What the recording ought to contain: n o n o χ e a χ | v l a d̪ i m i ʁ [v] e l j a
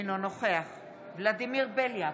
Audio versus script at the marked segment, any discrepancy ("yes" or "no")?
yes